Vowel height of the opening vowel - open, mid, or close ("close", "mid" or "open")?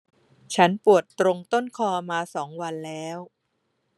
open